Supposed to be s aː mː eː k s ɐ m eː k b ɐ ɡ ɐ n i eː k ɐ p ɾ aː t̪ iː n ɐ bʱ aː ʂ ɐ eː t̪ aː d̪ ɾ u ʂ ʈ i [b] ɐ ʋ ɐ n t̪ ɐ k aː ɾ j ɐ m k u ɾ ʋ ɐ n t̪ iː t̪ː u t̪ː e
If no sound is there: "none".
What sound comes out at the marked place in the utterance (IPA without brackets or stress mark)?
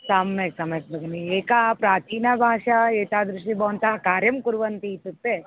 b